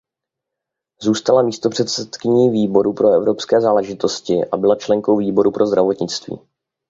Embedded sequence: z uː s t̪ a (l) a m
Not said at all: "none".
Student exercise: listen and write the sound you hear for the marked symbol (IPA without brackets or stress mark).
l